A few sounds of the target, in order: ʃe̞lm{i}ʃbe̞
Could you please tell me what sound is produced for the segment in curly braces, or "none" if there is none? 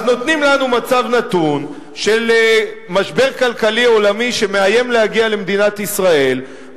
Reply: a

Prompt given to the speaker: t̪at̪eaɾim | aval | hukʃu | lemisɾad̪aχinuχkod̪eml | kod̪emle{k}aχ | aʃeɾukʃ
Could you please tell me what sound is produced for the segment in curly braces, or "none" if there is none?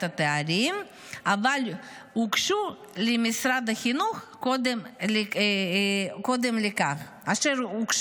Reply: k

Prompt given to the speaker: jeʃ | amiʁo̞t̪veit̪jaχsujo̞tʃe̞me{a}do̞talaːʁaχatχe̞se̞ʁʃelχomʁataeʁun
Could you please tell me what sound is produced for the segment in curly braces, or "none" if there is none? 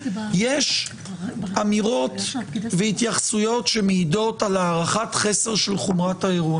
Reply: i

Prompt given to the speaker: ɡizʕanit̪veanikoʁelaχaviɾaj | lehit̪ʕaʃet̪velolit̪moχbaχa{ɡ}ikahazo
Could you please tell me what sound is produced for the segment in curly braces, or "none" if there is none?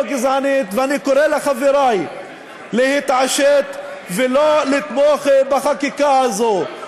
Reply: k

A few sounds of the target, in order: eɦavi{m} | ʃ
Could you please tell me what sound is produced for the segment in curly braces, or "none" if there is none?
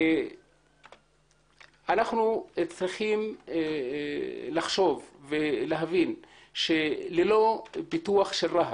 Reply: n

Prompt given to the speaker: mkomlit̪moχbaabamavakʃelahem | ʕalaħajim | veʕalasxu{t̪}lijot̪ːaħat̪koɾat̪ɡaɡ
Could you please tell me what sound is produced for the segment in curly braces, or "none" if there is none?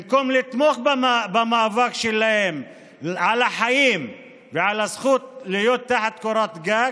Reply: t̪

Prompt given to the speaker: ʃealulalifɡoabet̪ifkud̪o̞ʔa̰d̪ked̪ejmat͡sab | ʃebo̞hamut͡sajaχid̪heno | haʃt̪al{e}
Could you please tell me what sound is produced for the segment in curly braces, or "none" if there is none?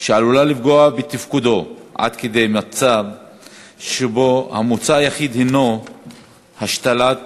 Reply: a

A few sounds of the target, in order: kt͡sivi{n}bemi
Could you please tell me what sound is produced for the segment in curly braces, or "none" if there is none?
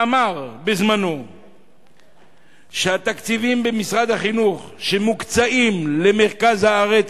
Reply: m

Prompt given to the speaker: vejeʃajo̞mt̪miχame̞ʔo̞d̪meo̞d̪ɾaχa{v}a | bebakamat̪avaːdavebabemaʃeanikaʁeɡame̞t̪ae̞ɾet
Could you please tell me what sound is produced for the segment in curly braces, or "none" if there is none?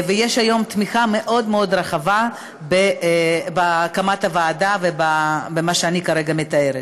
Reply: v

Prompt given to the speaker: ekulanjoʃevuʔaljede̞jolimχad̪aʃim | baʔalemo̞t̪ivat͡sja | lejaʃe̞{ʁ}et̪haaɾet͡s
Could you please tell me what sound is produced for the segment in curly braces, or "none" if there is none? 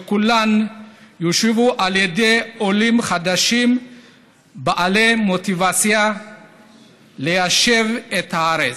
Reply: v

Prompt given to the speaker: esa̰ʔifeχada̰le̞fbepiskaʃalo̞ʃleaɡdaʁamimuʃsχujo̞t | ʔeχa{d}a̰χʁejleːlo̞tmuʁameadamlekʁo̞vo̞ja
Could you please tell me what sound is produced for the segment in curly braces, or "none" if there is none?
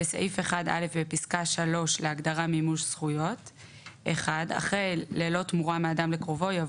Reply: d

